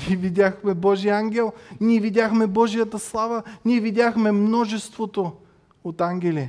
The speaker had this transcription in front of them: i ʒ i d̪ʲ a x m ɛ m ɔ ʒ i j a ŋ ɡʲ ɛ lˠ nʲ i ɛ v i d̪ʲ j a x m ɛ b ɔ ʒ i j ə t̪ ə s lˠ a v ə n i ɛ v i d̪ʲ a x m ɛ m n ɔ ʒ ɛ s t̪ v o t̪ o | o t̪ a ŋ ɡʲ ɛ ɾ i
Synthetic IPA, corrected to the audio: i v i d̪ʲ a x m ɛ b ɔ ʒ i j a ŋ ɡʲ ɛ lˠ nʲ i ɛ v i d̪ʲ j a x m ɛ b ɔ ʒ i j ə t̪ ə s lˠ a v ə n i ɛ v i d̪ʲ a x m ɛ m n ɔ ʒ ɛ s t̪ v o t̪ o | o t̪ a ŋ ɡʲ ɛ l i